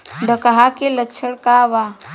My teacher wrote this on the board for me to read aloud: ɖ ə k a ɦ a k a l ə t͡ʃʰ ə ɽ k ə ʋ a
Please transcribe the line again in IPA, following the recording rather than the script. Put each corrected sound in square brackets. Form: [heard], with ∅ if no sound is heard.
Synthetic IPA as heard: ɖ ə k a ɦ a k [e] l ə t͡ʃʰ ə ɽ k [a] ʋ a

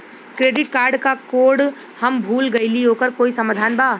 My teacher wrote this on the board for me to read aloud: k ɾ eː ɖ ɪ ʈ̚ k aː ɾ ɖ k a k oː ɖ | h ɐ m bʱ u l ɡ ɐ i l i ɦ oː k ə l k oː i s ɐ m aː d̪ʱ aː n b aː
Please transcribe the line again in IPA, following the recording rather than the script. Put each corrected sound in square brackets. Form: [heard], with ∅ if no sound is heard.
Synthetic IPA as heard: k ɾ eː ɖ ɪ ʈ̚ k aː ɾ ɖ k a k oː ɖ | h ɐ m bʱ [uː] l ɡ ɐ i l i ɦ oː k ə [ɾ] k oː i s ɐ m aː d̪ʱ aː n b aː

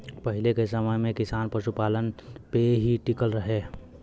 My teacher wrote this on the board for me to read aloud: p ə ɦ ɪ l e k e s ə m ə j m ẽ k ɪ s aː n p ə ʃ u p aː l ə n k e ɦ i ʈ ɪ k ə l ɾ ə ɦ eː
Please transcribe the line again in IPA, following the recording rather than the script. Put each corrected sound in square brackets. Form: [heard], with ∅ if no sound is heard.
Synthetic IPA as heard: p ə ɦ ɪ l e k e s ə m ə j m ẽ k ɪ s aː n p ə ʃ u p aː l ə n [p] e ɦ i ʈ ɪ k ə l ɾ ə ɦ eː

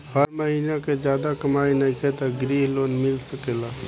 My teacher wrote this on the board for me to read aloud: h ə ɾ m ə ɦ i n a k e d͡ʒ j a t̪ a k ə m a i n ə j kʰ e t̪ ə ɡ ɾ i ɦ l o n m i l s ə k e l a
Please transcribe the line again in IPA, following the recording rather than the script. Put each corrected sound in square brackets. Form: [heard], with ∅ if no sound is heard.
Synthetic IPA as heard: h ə ɾ m ə ɦ i n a k e d͡ʒ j a [d̪] a k ə m a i n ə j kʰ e t̪ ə ɡ ɾ i ɦ l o n m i l s ə k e l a

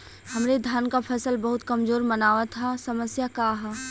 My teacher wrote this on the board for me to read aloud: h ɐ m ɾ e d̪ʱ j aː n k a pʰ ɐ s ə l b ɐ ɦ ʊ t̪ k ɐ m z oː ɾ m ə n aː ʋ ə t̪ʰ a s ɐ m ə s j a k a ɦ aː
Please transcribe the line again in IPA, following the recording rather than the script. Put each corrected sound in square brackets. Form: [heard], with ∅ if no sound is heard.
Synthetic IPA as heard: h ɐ m ɾ e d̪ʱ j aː n k a pʰ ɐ s ə l b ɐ ɦ ʊ t̪ k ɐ m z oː ɾ m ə n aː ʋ [a] t̪ʰ a s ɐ m ə s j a k a ɦ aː

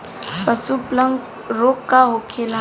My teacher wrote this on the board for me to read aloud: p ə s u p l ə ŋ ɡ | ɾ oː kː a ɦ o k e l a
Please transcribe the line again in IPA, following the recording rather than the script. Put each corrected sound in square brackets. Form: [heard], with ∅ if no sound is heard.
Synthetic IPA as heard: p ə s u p l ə ŋ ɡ | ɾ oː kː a ɦ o [kʰ] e l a

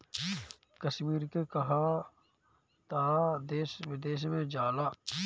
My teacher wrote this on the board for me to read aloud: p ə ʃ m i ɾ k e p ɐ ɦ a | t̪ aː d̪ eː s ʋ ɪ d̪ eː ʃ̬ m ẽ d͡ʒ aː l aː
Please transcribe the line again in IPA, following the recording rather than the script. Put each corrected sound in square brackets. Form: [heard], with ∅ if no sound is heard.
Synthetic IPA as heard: [k] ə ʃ m [iː] ɾ k e [k] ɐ ɦ a | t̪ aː d̪ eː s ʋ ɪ d̪ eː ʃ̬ m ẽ d͡ʒ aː l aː

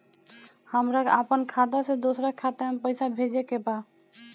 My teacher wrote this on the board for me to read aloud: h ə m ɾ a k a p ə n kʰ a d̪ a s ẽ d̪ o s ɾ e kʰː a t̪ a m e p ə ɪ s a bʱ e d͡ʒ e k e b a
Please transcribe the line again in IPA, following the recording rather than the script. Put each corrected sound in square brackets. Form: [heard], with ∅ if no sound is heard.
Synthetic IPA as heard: h ə m ɾ a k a p ə n kʰ a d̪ a s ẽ d̪ o s ɾ [a] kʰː a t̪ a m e p ə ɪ s a bʱ e d͡ʒ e k e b a

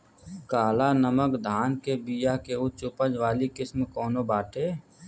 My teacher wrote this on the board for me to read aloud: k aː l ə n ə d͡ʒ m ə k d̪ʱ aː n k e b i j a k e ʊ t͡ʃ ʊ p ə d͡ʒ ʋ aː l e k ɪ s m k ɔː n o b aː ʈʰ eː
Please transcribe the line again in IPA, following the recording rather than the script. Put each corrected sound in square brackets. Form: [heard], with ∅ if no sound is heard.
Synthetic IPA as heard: k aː l [a] n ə [∅] m ə k d̪ʱ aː n k e b i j a k e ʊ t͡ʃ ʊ p ə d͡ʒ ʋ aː l [i] k ɪ s m k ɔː n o b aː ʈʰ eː

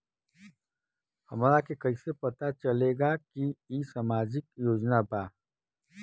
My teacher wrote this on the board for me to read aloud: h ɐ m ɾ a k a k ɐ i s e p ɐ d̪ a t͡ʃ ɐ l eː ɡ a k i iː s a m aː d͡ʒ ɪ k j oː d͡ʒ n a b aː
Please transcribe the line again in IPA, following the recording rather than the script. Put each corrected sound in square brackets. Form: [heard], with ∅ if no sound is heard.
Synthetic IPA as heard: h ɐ m ɾ a k [e] k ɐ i s e p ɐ [t̪] a t͡ʃ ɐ l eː ɡ a k i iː s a m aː d͡ʒ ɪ k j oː d͡ʒ n a b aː

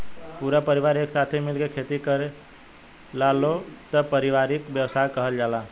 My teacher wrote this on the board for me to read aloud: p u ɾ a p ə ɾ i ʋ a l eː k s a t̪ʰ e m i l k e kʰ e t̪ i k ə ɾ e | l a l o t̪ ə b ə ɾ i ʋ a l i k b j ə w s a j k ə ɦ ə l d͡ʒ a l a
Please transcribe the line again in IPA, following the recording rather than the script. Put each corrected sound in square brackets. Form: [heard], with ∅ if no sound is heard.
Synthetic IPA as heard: p u ɾ a p ə ɾ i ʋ a [ɾ] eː k s a t̪ʰ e m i l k e kʰ e t̪ i k ə ɾ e | l a l o t̪ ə [p] ə ɾ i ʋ a [ɾ] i k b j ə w s a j k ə ɦ ə l d͡ʒ a l a

